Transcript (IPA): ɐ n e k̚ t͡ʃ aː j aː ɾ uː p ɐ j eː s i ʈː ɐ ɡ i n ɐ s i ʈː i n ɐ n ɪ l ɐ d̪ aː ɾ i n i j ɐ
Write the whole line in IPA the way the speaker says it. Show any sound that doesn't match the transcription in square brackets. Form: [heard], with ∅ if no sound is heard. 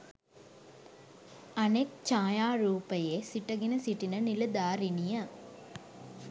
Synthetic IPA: ɐ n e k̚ t͡ʃ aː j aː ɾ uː p ɐ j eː s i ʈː ɐ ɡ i n ɐ s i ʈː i n ɐ n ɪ l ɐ d̪ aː ɾ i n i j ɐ